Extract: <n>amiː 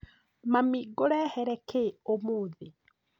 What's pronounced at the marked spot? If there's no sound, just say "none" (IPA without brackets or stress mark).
m